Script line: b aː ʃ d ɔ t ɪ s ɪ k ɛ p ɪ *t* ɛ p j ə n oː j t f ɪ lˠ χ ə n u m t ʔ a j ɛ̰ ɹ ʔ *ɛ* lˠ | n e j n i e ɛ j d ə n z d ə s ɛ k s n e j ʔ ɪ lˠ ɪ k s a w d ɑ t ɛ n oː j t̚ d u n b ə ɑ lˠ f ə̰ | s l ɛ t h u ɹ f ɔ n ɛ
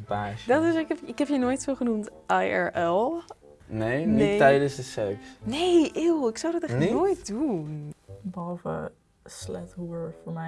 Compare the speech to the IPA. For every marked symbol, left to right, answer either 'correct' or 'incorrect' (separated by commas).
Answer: incorrect, correct